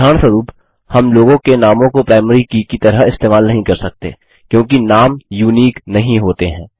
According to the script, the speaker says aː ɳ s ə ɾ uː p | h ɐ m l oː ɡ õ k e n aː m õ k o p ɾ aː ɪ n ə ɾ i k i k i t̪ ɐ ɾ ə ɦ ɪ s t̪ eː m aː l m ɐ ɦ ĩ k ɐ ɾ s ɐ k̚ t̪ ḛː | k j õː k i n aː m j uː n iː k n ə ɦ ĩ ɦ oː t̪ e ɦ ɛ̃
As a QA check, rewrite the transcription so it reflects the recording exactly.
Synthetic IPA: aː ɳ s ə ɾ uː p | h ɐ m l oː ɡ õ k e n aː m õ k o p ɾ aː ɪ m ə ɾ i k i k i t̪ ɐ ɾ ə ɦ ɪ s t̪ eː m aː l n ɐ ɦ ĩ k ɐ ɾ s ɐ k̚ t̪ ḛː | k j õː k i n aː m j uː n iː k n ɐ ɦ ĩ ɦ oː t̪ e ɦ ɛ̃ː